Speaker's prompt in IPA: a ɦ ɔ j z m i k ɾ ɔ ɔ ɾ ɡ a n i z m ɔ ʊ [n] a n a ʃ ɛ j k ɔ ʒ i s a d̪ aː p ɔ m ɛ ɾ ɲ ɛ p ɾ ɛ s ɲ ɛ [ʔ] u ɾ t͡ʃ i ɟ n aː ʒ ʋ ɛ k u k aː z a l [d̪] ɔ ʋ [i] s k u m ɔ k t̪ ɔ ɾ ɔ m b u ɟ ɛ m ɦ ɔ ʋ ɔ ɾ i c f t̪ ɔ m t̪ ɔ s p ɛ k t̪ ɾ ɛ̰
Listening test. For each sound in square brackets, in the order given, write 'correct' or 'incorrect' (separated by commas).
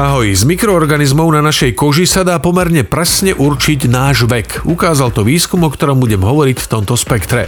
correct, correct, incorrect, incorrect